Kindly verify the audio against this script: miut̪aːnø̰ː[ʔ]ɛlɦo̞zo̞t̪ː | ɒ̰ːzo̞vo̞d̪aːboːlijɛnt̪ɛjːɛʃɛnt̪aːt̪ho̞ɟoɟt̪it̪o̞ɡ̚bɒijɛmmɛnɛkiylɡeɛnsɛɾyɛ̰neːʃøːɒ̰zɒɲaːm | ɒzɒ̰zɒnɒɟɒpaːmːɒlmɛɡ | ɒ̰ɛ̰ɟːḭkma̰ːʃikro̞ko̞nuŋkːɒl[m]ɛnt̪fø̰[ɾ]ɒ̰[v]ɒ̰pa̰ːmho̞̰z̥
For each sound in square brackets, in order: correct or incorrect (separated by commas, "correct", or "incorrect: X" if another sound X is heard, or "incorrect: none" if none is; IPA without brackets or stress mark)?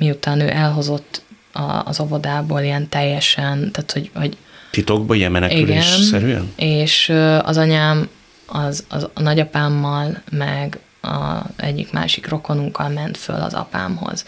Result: correct, correct, incorrect: l, incorrect: z